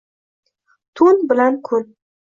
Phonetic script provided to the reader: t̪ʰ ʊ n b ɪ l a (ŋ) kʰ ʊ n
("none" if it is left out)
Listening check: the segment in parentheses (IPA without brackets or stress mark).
n